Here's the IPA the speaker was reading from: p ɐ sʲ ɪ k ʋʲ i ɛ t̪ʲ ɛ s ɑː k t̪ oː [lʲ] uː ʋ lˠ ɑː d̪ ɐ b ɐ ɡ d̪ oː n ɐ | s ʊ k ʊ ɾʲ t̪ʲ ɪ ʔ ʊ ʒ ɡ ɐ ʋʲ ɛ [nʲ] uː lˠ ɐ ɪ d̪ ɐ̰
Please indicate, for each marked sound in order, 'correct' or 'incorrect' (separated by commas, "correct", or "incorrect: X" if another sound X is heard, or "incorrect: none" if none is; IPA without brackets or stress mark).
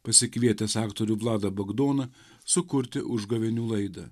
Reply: incorrect: ɾʲ, correct